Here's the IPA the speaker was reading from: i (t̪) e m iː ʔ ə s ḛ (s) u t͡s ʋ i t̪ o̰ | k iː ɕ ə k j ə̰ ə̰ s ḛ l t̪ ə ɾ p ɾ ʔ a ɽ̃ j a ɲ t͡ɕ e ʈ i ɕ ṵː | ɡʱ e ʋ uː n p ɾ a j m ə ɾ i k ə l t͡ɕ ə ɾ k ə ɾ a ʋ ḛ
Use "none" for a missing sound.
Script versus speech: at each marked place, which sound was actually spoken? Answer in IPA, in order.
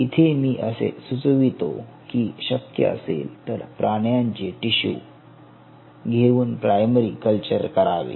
t̪ʰ, s

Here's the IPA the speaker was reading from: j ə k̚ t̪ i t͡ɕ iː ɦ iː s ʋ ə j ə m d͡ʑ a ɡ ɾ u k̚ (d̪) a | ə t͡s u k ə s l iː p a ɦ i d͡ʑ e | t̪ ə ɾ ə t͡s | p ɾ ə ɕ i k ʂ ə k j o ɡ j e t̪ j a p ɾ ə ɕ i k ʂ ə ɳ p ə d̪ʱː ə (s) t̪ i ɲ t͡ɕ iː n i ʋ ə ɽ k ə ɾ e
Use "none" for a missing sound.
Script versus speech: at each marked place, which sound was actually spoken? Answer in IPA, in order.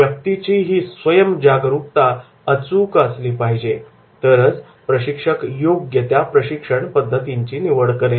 t̪, none

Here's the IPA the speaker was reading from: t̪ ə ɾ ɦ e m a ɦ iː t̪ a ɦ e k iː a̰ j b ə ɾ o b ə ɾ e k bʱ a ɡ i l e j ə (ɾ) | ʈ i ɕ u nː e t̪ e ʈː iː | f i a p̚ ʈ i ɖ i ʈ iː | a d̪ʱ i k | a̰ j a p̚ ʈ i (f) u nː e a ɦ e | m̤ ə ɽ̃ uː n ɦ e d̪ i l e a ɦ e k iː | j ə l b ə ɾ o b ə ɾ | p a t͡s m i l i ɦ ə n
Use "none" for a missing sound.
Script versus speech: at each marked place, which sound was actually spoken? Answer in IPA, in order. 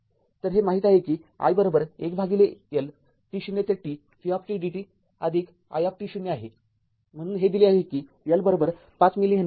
l, ɕ

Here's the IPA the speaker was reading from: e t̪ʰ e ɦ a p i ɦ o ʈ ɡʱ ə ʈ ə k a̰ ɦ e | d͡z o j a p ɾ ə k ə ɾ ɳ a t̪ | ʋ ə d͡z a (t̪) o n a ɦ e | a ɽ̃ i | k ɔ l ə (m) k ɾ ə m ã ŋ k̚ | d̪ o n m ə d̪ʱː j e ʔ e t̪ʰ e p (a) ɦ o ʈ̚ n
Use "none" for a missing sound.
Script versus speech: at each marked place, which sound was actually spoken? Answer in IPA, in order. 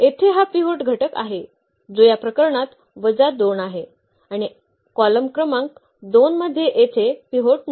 d̪, m, i

